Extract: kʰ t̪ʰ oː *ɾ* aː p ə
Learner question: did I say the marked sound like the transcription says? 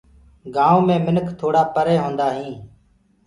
no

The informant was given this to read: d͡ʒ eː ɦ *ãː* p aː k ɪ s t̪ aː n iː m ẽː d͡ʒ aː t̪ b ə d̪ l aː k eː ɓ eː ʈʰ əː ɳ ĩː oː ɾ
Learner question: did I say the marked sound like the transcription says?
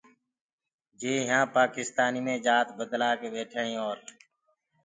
yes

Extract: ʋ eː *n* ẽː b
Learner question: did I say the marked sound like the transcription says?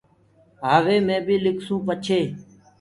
no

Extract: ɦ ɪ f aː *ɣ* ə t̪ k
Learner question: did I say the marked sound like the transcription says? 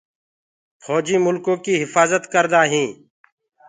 no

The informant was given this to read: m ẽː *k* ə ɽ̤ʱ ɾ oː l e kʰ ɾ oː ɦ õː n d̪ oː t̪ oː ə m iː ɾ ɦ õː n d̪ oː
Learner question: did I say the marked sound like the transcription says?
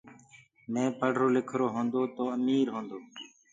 no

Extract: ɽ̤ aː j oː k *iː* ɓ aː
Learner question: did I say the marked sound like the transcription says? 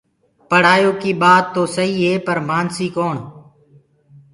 yes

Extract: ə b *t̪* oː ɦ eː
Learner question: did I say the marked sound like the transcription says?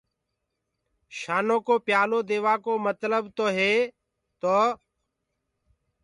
yes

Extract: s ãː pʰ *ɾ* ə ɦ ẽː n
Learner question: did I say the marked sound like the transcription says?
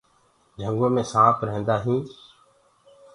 yes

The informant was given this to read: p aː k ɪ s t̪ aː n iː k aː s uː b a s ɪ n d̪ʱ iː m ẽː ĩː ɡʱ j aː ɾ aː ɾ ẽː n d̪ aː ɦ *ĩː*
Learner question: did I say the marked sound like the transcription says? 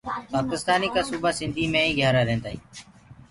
no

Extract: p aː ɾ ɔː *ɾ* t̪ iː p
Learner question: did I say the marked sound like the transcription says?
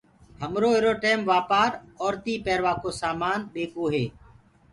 yes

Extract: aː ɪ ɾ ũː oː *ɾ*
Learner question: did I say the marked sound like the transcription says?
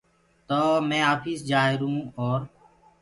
yes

